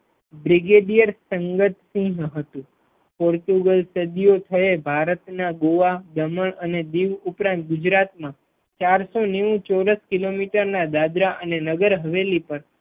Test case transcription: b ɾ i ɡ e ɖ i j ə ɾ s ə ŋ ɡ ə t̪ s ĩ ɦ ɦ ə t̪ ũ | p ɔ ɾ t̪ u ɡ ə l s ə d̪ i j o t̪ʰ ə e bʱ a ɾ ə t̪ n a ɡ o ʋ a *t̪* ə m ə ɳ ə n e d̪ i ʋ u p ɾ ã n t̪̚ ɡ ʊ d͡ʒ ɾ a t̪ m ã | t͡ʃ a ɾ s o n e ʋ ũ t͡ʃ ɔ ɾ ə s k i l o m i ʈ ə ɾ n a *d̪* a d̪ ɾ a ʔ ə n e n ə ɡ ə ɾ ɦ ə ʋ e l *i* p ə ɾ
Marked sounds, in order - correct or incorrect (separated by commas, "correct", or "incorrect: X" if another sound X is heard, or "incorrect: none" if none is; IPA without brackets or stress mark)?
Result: incorrect: d̪, correct, correct